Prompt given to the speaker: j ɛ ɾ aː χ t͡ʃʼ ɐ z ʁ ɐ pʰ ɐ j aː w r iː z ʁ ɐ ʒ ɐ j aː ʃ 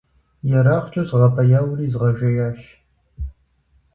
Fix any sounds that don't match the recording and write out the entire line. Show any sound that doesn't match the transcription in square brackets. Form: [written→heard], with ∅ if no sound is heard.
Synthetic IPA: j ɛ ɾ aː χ t͡ʃʼ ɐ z ʁ ɐ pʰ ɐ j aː w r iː z ʁ ɐ ʒ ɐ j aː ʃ